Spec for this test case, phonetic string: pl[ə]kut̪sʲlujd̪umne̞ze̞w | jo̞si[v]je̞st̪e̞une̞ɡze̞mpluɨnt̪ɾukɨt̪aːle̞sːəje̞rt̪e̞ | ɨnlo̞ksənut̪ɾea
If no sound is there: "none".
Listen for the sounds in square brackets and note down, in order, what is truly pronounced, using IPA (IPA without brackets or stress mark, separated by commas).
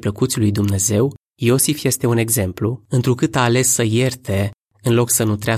ə, f